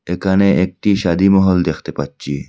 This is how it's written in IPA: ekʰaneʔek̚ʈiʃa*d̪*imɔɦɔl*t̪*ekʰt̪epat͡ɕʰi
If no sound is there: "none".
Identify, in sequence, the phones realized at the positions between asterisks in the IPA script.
d̪, d̪

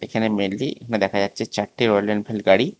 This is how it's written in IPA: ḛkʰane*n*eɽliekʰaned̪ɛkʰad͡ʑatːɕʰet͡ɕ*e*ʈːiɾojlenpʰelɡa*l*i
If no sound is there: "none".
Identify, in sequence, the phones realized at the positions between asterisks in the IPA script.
m, a, ɽ

